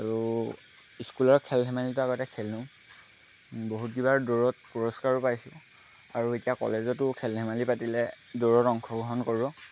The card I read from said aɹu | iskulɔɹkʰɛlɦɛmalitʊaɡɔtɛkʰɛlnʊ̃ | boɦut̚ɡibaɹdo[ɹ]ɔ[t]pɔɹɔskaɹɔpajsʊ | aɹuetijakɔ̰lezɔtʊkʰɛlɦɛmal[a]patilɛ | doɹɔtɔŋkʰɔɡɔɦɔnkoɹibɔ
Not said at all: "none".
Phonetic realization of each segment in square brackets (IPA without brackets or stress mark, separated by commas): ɹ, t, i